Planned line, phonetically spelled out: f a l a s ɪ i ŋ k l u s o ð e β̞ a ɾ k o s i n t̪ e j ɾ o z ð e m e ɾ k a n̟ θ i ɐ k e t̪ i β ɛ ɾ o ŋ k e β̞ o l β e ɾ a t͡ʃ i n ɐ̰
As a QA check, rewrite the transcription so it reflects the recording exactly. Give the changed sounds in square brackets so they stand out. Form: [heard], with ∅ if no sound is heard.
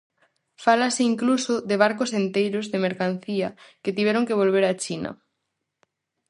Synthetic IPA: f a l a s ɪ i ŋ k l u s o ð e β̞ a ɾ k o s [e] n t̪ e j ɾ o z ð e m e ɾ k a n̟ θ i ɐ k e t̪ i β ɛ ɾ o ŋ k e β̞ o l β e ɾ a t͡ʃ i n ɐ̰